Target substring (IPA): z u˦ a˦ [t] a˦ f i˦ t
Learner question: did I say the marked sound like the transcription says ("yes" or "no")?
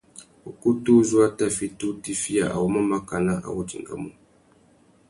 yes